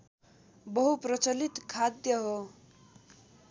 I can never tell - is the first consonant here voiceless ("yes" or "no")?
no